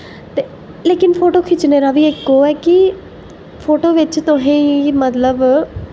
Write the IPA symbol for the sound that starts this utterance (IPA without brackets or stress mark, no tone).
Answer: t̪